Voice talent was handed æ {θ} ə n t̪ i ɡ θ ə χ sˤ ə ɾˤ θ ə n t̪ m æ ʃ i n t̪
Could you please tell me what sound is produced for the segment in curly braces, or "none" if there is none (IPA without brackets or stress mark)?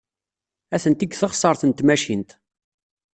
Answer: θ